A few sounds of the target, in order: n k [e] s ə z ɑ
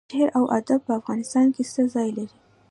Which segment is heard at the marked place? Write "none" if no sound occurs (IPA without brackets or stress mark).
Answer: e